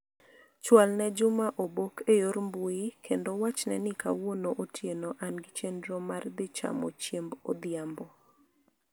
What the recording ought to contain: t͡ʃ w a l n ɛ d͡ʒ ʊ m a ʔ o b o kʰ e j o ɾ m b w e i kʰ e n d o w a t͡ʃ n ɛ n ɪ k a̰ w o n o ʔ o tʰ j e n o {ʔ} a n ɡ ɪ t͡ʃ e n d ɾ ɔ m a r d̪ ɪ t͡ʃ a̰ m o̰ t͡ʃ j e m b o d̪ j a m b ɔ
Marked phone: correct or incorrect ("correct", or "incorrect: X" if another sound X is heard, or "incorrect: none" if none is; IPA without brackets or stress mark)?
correct